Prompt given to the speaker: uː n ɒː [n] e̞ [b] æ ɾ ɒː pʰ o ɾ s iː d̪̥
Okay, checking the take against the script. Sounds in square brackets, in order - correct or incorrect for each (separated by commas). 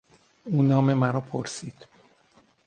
incorrect, incorrect